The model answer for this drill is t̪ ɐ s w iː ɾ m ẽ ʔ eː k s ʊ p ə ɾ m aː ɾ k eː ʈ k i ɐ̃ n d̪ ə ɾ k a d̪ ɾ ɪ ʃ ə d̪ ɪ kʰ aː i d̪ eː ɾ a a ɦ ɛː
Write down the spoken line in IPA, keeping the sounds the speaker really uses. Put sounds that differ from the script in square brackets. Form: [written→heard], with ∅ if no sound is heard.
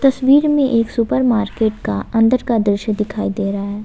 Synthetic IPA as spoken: t̪ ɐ s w iː ɾ m ẽ ʔ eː k s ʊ p ə ɾ m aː ɾ k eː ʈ k [i→a] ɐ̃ n d̪ ə ɾ k a d̪ ɾ ɪ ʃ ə d̪ ɪ kʰ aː i d̪ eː ɾ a a ɦ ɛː